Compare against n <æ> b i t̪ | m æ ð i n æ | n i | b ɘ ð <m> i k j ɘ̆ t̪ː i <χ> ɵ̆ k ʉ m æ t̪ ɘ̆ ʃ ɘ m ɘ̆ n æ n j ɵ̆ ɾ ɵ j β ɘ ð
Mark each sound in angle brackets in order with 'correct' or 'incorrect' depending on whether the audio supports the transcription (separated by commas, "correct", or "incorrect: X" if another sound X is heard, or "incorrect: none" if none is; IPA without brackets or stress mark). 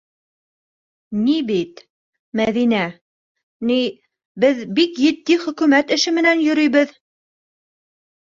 incorrect: i, incorrect: b, correct